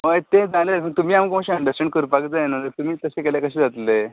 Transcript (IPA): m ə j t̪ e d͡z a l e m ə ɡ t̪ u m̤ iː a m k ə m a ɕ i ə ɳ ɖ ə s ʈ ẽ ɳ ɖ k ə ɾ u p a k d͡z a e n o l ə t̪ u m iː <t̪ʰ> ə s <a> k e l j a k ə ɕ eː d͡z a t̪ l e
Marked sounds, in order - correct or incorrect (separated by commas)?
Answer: incorrect, incorrect